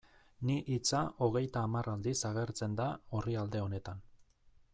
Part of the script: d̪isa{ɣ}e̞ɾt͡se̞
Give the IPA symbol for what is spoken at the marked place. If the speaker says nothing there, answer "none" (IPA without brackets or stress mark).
ɣ